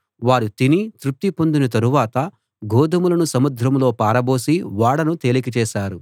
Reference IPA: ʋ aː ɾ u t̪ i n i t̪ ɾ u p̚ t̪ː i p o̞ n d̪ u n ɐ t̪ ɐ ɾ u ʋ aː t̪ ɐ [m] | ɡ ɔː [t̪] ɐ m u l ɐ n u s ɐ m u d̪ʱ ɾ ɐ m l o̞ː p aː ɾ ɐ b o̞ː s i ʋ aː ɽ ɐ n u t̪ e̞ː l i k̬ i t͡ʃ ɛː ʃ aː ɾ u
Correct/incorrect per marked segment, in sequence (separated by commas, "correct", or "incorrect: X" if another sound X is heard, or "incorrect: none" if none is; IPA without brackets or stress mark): incorrect: none, incorrect: d̪